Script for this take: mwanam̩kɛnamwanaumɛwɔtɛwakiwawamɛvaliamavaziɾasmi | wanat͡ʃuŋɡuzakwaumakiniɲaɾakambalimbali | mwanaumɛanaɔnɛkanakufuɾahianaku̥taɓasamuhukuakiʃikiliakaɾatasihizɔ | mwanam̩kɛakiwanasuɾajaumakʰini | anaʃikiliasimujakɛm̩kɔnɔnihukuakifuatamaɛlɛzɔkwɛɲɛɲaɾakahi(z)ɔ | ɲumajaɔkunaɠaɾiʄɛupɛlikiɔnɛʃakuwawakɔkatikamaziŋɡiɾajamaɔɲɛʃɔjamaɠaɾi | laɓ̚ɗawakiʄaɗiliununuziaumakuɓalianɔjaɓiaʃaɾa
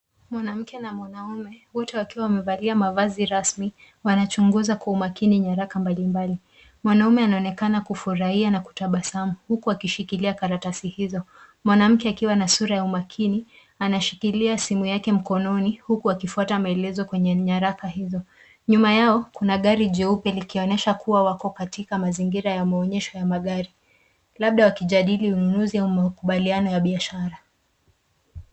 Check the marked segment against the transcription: correct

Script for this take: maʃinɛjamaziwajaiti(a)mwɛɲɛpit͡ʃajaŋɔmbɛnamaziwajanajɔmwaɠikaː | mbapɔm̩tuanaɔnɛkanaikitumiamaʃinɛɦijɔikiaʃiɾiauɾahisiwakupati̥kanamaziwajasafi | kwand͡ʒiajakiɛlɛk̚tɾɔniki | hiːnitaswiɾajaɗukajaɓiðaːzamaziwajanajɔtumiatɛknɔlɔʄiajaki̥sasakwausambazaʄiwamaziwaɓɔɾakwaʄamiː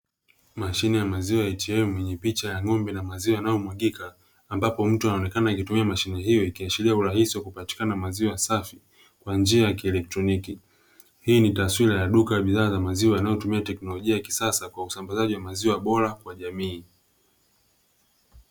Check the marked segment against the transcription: incorrect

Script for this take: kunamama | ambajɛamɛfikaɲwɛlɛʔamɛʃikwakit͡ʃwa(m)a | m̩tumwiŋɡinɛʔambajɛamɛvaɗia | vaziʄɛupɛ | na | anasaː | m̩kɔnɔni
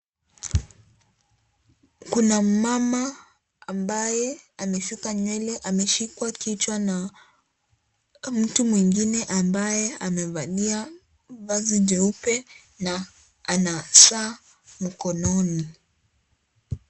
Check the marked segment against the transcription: incorrect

